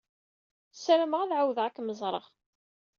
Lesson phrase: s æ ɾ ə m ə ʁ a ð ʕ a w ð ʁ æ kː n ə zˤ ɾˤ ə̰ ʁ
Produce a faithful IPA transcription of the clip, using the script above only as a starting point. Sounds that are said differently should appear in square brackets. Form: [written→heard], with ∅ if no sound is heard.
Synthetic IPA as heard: s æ ɾ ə m ə ʁ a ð ʕ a w ð ʁ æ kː [n→m] ə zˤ ɾˤ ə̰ ʁ